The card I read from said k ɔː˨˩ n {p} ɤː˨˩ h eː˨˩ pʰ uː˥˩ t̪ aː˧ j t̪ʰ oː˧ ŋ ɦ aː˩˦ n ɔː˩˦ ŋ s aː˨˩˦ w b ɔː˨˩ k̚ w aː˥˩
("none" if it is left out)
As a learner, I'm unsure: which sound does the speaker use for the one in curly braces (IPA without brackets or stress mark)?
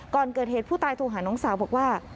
k